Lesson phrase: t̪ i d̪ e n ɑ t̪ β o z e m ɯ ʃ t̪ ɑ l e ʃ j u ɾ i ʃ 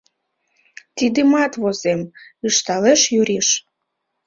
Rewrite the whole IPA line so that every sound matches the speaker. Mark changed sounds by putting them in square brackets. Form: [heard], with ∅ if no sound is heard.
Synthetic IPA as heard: t̪ i d̪ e [m] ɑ t̪ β o z e m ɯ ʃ t̪ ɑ l e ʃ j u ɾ i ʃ

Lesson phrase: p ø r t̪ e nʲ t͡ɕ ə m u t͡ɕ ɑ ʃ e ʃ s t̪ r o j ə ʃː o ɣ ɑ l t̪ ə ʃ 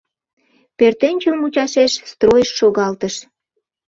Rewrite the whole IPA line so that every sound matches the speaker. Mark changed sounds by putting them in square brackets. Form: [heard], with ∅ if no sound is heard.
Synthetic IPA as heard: p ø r t̪ e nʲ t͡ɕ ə m u t͡ɕ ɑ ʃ e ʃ s t̪ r o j ə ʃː o ɣ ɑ l t̪ ə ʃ

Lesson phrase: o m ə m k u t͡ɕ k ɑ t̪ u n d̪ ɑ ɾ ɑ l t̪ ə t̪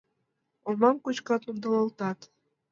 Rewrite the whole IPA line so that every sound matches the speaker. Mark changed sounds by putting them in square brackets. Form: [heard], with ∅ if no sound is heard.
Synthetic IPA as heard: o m [ɑ] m k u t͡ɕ k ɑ t̪ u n d̪ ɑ [l] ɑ l t̪ [ɑ] t̪

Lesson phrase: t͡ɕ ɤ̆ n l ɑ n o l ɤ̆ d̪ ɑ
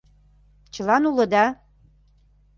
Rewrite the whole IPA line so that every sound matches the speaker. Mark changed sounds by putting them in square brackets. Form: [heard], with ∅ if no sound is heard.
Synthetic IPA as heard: t͡ɕ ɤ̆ [∅] l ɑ n [u] l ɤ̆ d̪ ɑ

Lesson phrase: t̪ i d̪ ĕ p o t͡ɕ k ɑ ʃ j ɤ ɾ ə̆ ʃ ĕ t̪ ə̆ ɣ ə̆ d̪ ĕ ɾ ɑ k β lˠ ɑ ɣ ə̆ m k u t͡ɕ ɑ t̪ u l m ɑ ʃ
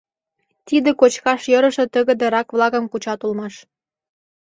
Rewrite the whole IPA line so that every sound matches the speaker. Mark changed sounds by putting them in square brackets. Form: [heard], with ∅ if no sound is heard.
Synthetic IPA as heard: t̪ i d̪ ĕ [k] o t͡ɕ k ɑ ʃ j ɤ ɾ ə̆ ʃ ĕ t̪ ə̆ ɣ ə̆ d̪ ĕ ɾ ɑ k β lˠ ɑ ɣ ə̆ m k u t͡ɕ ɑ t̪ u l m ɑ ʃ

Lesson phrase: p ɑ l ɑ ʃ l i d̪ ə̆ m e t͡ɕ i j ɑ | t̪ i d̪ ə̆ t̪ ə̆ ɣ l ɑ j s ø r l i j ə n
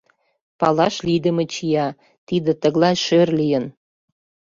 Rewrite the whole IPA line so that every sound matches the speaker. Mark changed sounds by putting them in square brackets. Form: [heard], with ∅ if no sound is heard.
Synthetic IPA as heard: p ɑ l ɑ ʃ l i d̪ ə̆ m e t͡ɕ i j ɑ | t̪ i d̪ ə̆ t̪ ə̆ ɣ l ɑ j [ʃ] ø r l i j ə n

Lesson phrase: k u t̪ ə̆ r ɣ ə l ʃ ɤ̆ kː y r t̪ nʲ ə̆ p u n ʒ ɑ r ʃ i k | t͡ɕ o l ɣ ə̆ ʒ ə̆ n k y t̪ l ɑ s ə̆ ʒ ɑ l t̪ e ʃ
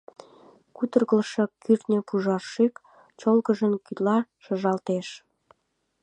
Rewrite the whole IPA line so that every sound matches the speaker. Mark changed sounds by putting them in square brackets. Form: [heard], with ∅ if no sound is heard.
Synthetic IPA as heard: k u t̪ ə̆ r ɣ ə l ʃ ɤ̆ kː y r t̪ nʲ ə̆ p u [∅] ʒ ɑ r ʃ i k | t͡ɕ o l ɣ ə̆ ʒ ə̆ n k y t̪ l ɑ [ʃ] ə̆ ʒ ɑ l t̪ e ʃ

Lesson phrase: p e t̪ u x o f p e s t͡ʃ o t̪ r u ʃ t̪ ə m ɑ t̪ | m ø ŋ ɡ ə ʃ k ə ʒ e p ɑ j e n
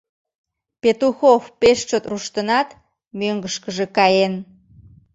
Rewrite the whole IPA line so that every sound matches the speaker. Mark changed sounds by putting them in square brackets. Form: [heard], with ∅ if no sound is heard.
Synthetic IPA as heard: p e t̪ u x o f p e [ʃ] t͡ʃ o t̪ r u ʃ t̪ ə [n] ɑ t̪ | m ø ŋ ɡ ə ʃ k ə ʒ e [k] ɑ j e n

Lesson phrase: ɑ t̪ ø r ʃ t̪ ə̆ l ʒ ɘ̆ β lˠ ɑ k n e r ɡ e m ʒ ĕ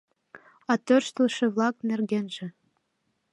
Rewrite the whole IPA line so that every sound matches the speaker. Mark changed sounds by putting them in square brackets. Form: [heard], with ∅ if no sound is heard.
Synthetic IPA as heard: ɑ t̪ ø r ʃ t̪ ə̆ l [ʃ] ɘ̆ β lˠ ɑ k n e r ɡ e [n] ʒ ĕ

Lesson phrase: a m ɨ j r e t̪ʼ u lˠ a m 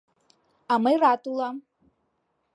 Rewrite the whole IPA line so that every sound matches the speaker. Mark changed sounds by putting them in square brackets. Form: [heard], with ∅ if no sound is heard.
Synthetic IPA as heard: a m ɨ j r [a] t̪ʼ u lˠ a m

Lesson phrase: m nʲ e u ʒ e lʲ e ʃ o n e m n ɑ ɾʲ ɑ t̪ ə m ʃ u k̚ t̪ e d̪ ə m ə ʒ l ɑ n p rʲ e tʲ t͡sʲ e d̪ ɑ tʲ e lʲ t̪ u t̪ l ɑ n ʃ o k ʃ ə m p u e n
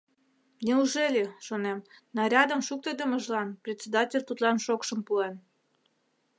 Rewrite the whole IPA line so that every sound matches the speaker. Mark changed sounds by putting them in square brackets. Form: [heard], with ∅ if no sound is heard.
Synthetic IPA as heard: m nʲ e u ʒ e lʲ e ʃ o n e m n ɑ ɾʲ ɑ [d̪] ə m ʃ u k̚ t̪ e d̪ ə m ə ʒ l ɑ n p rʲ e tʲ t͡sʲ e d̪ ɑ tʲ e lʲ t̪ u t̪ l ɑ n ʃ o k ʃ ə m p u e n

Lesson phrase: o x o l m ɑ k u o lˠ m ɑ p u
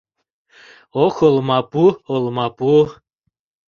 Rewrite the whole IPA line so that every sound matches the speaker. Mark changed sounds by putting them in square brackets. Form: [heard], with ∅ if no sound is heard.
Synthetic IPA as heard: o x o l m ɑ [p] u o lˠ m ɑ p u

